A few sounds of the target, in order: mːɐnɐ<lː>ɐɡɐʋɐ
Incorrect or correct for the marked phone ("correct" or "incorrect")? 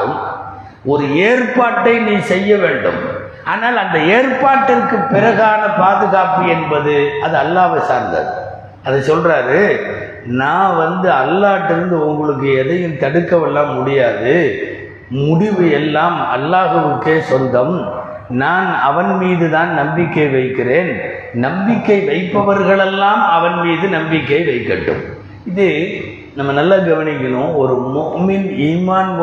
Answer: correct